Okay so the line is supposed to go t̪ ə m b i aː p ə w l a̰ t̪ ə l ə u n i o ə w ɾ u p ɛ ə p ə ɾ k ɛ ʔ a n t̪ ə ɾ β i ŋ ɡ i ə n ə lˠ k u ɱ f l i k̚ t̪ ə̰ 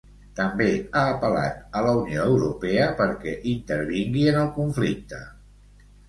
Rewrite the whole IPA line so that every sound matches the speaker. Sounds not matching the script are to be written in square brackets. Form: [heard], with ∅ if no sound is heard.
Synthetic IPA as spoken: t̪ ə m b [e] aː p ə [∅] l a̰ t̪ ə l ə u n i o ə w ɾ u p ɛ ə p ə ɾ k ɛ ʔ [i] n t̪ ə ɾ β i ŋ ɡ i ə n ə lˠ k u ɱ f l i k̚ t̪ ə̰